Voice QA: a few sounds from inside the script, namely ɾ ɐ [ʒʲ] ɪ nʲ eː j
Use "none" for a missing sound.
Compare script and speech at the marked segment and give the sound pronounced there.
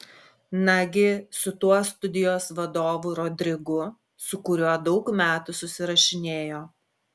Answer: ʃʲ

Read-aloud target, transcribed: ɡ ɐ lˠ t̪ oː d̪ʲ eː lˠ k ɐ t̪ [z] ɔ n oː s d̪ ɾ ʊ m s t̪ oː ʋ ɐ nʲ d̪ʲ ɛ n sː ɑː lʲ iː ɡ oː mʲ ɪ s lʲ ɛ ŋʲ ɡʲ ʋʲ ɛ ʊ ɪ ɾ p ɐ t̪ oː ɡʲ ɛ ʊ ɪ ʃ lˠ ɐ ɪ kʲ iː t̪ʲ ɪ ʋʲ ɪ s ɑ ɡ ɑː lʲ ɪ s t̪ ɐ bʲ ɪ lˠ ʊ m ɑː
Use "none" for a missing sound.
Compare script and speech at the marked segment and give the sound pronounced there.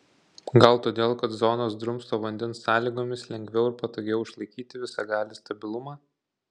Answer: z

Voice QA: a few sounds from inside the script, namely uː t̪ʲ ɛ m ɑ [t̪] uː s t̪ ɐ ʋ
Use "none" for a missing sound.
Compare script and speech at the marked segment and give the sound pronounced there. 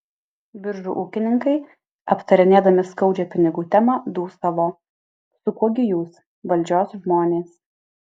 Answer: d̪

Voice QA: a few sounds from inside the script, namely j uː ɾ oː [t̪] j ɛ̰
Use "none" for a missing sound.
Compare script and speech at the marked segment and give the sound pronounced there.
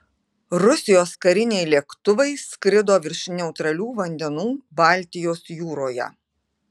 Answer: none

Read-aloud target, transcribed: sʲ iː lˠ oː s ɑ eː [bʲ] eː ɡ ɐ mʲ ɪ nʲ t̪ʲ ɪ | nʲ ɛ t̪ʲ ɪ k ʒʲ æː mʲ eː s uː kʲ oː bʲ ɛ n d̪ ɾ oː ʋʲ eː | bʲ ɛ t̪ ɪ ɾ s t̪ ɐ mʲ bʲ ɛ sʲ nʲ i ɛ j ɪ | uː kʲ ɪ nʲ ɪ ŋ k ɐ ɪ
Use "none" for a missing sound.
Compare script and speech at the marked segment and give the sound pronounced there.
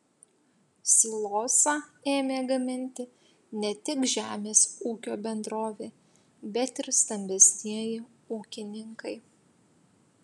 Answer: mʲ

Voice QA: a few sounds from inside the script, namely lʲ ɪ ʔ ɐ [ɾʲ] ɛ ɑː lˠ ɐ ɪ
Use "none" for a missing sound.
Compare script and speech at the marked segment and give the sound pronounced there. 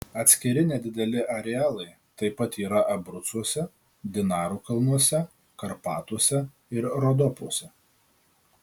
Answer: ɾʲ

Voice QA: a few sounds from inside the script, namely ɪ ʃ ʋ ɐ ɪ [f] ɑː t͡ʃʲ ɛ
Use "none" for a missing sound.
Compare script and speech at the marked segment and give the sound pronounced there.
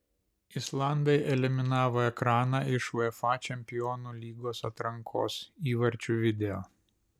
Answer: f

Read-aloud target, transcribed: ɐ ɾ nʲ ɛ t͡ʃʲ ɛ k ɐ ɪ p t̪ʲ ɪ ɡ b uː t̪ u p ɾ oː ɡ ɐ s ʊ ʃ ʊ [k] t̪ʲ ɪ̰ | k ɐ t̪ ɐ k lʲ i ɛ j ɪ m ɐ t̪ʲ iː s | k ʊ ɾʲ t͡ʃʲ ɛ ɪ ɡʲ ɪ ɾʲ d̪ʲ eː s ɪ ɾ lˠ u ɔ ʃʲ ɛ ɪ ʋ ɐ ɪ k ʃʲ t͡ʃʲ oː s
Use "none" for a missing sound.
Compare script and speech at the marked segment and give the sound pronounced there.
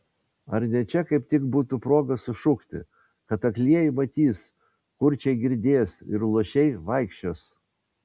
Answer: k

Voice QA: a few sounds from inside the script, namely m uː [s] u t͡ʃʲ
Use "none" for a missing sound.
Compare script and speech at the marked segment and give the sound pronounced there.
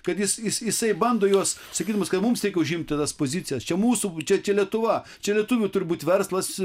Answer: s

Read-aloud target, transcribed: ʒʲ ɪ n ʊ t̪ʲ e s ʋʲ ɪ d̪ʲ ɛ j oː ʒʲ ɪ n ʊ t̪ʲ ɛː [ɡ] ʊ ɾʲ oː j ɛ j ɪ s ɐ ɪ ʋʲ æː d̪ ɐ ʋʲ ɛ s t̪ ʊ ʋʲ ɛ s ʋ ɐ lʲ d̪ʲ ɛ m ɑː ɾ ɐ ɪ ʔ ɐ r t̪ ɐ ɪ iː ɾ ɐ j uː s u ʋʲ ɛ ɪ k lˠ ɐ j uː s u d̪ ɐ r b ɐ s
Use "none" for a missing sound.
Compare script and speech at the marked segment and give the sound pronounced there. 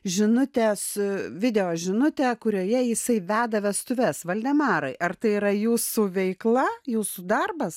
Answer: k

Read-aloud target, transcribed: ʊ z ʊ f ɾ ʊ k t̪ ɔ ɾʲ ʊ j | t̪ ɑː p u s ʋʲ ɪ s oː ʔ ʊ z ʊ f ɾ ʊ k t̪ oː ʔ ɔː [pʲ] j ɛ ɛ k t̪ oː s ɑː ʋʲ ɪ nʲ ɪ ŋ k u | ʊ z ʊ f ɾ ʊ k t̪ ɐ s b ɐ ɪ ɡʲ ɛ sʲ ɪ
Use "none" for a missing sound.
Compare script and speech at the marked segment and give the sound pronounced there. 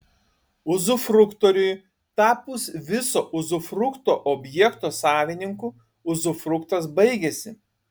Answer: bʲ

